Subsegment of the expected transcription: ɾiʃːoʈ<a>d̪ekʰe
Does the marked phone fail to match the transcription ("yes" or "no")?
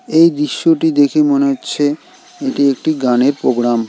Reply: yes